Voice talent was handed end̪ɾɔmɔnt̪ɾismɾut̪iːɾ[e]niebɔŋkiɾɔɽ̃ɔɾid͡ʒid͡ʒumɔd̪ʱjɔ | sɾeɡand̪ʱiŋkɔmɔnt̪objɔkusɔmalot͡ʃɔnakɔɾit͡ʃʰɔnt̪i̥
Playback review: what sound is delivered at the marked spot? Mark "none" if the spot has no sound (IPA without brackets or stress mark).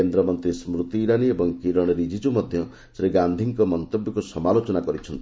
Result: a